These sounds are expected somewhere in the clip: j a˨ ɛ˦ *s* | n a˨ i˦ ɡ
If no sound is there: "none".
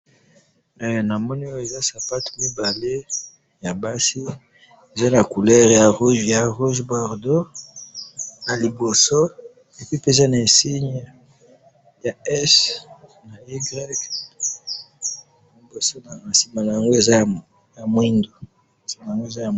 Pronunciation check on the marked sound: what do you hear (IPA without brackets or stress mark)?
s